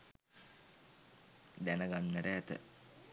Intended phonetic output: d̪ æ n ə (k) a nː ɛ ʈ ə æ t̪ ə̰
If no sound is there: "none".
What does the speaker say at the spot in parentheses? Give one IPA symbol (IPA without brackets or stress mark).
ɡ